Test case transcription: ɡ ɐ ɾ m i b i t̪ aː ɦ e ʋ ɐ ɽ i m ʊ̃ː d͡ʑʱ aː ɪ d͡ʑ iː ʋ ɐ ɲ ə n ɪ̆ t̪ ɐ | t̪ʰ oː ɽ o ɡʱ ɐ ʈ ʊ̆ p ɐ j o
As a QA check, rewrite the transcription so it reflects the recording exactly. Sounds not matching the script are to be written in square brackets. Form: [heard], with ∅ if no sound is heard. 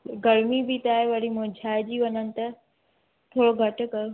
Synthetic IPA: ɡ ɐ ɾ m i b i t̪ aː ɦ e ʋ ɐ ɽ i m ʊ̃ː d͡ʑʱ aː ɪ d͡ʑ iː ʋ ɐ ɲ ə n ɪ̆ t̪ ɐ | t̪ʰ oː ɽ o ɡʱ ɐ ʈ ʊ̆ [k] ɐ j o